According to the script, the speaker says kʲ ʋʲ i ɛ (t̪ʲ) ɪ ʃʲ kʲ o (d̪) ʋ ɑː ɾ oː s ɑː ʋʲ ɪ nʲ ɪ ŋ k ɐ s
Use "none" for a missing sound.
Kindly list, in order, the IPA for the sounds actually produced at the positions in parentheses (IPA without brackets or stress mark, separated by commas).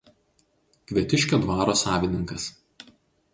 t̪ʲ, d̪